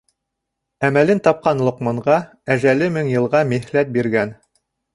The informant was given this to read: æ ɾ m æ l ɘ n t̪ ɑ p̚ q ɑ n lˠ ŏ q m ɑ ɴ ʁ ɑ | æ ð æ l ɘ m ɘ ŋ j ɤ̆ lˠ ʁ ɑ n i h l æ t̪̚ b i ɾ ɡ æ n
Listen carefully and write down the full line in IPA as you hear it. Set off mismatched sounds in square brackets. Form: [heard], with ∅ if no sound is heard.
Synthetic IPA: æ [∅] m æ l ɘ n t̪ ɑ p̚ q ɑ n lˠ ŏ q m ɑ ɴ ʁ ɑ | æ [ʒ] æ l ɘ m ɘ ŋ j ɤ̆ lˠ ʁ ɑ [m] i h l æ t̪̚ b i ɾ ɡ æ n